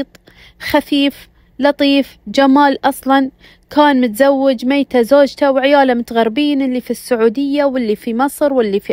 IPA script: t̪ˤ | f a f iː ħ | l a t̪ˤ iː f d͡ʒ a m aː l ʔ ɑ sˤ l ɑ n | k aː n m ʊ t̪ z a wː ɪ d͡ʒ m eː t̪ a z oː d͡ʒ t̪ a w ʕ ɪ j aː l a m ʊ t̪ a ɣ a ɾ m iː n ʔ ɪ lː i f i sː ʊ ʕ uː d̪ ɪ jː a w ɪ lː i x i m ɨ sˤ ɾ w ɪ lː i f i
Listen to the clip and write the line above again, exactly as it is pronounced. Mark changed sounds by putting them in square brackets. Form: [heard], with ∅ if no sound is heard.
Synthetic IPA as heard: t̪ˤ | [x] a f iː [f] | l [ɑ] t̪ˤ iː f d͡ʒ a m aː l ʔ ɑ sˤ l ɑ n | k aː n m ʊ t̪ z a wː ɪ d͡ʒ m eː t̪ a z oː d͡ʒ t̪ a w ʕ ɪ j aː l a m ʊ t̪ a ɣ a ɾ [b] iː n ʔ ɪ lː i f i sː ʊ ʕ uː d̪ ɪ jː a w ɪ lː i [f] i m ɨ sˤ ɾ w ɪ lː i f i